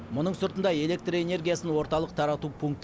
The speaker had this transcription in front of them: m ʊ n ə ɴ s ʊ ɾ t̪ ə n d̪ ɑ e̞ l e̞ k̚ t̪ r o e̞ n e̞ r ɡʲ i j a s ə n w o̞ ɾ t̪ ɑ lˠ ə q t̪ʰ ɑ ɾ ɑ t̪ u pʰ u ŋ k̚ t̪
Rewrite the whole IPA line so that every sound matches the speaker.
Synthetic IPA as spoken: m ʊ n ə ɴ s ʊ ɾ t̪ ə n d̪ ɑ e̞ l e̞ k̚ t̪ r o e̞ n e̞ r ɡʲ i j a s ə n w o̞ ɾ t̪ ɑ lˠ ə q t̪ʰ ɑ ɾ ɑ t̪ u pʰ u ŋ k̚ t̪